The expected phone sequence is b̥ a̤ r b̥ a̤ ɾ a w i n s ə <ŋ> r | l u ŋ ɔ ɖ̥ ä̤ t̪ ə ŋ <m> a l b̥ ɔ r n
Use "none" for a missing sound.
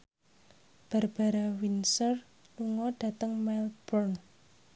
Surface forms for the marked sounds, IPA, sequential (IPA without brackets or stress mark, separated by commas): none, m